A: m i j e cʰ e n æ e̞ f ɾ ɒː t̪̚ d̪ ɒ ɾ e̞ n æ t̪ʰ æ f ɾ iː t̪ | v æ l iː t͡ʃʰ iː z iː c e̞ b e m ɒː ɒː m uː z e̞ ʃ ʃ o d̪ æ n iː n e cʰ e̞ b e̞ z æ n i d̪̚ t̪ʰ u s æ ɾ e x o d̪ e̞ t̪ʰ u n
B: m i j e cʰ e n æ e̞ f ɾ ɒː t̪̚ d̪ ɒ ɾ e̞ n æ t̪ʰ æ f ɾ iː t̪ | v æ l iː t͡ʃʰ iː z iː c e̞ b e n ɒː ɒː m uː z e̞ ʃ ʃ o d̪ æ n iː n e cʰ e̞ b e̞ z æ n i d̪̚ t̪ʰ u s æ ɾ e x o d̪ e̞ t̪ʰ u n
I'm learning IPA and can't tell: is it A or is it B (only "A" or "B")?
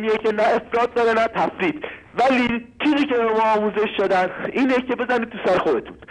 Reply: A